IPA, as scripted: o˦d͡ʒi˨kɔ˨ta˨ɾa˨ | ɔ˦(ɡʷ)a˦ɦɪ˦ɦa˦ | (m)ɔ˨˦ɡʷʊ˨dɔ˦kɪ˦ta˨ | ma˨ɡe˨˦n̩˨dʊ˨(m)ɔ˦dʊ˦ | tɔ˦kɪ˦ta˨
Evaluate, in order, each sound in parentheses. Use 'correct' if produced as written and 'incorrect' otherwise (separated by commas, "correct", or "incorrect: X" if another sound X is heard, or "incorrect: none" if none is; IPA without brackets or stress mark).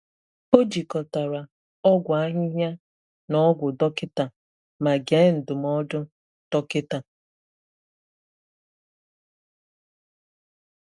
correct, incorrect: n, correct